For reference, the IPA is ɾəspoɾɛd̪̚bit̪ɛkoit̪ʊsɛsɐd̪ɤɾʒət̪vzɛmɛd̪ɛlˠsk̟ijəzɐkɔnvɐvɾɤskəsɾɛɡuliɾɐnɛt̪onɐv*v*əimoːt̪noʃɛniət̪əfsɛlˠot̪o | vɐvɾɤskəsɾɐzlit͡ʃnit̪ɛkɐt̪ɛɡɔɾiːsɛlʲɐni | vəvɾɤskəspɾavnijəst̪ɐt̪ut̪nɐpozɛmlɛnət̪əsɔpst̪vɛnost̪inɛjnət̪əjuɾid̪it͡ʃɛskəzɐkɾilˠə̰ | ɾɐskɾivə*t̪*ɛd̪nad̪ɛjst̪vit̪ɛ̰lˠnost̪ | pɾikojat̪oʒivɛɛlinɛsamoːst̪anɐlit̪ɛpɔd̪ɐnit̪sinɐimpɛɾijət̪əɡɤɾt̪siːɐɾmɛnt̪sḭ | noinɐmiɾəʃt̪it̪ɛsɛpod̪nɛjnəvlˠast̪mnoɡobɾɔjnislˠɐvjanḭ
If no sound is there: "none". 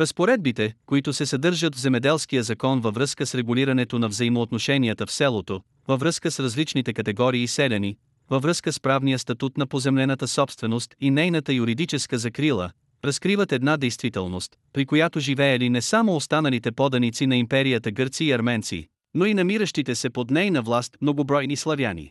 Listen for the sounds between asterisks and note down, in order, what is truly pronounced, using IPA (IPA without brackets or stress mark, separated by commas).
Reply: z, t̪